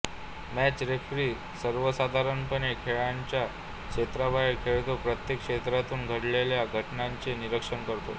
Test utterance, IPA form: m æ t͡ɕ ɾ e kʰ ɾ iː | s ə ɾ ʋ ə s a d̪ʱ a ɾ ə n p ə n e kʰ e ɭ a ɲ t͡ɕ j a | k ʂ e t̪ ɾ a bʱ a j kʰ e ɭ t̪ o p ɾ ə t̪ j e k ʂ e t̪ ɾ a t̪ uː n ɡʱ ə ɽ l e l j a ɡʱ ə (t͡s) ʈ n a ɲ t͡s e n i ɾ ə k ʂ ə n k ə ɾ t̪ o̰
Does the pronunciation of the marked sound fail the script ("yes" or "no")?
yes